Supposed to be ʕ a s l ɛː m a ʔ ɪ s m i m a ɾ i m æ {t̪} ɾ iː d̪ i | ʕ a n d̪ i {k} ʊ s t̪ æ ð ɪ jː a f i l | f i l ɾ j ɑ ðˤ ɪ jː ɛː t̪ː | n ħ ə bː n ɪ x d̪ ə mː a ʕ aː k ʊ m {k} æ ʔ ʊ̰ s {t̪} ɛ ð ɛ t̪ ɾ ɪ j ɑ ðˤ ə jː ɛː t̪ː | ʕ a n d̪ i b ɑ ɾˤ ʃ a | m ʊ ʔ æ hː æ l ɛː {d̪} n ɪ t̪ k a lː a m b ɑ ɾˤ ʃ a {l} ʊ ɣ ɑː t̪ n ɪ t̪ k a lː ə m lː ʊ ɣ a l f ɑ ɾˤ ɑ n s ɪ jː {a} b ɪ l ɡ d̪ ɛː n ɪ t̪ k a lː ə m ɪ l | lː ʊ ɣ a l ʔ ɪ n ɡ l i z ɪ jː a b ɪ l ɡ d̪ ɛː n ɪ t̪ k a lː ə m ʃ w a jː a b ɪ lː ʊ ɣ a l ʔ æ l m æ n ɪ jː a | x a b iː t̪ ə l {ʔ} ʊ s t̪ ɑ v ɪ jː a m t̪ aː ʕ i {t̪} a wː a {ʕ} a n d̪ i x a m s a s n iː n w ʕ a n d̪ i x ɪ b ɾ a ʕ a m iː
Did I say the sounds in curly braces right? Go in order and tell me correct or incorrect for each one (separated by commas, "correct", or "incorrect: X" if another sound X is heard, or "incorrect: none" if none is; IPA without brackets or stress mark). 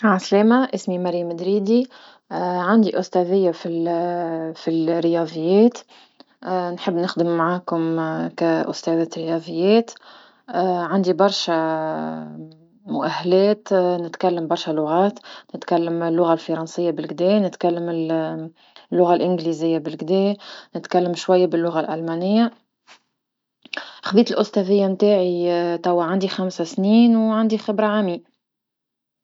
incorrect: d̪, incorrect: ʔ, correct, correct, incorrect: t̪, correct, correct, correct, correct, correct